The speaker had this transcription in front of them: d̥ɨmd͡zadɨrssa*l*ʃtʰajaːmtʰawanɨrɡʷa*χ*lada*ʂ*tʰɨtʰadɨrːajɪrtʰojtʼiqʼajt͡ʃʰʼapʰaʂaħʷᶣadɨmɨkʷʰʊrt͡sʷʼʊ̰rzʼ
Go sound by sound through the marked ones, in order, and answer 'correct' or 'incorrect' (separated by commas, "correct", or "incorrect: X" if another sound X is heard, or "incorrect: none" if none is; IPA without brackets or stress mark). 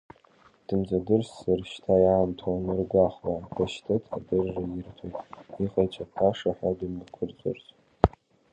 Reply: incorrect: r, correct, incorrect: ʃ